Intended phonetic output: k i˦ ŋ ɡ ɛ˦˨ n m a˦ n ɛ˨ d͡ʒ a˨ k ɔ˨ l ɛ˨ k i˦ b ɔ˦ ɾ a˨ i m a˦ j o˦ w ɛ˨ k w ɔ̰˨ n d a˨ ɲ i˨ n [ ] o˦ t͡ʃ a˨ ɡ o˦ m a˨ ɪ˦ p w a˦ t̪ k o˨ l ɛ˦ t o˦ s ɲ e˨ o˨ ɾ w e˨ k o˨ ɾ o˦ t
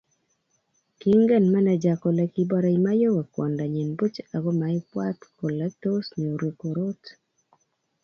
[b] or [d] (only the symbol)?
b